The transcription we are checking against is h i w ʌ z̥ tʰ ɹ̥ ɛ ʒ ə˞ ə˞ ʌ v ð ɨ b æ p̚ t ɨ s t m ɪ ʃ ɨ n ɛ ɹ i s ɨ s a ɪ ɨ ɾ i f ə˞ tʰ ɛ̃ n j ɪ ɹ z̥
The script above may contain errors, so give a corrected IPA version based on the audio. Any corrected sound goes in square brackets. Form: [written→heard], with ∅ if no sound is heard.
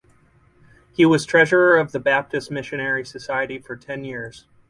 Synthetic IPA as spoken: h i w ʌ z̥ tʰ ɹ̥ ɛ ʒ ə˞ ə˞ ʌ v ð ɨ b æ p̚ t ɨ s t m ɪ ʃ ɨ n ɛ ɹ i s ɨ s a ɪ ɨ ɾ i f ə˞ tʰ ɛ̃ n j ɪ ɹ z̥